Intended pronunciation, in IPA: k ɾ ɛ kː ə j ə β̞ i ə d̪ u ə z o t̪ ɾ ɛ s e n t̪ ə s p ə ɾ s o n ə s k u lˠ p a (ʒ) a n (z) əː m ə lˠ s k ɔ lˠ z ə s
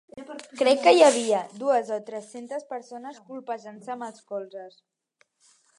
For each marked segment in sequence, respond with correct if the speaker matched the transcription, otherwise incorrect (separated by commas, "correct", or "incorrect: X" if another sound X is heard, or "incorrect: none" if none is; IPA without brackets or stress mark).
correct, incorrect: s